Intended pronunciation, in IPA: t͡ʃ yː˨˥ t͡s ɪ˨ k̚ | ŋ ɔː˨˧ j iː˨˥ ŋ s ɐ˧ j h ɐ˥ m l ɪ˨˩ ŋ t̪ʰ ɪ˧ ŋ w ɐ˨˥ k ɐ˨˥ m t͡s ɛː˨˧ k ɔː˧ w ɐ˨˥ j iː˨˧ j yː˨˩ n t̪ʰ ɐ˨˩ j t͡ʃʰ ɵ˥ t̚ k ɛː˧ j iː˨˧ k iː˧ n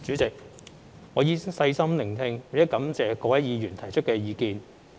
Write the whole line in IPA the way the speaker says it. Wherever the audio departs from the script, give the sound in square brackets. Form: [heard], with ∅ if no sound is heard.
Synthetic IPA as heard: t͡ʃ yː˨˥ t͡s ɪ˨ k̚ | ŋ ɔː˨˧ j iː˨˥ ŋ s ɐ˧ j [s] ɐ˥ m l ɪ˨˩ ŋ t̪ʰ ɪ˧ ŋ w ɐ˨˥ k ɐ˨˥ m t͡s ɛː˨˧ k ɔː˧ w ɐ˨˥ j iː˨˧ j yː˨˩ n t̪ʰ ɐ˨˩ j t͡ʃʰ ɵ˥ t̚ k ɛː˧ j iː˨˧ k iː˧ n